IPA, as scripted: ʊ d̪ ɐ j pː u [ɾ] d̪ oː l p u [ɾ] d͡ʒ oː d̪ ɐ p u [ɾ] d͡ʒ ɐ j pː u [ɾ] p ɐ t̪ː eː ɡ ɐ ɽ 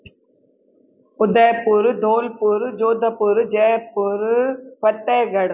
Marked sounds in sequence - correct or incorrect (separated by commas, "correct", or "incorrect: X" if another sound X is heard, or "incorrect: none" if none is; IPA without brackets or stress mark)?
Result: correct, correct, correct, correct